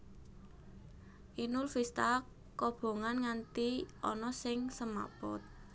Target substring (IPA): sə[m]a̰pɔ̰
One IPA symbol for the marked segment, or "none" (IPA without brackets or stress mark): m